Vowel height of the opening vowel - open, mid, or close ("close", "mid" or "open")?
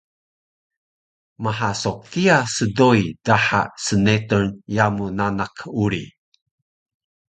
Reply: open